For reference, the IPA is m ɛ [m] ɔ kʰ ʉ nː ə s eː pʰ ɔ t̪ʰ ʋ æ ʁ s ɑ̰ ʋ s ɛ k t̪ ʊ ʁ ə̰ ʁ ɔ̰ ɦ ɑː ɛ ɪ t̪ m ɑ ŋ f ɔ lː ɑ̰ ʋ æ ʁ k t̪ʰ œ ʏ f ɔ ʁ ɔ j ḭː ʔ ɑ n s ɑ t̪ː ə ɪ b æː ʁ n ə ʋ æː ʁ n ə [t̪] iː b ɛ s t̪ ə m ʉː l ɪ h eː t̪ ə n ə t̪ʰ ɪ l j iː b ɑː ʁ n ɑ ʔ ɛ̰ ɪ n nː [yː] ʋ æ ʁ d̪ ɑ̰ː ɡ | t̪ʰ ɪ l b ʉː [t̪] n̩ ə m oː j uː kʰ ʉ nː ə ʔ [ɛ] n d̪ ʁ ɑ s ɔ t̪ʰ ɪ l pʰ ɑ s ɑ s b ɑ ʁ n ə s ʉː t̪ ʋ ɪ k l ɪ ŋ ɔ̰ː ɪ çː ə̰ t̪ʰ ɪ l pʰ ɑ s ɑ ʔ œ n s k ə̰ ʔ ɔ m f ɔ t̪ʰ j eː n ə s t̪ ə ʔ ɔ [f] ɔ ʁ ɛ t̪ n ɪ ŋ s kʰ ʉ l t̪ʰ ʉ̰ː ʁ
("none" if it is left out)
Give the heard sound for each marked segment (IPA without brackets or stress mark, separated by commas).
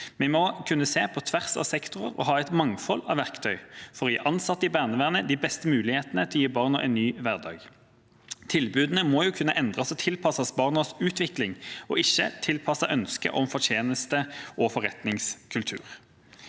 m, d̪, yː, d̪, ɛ, f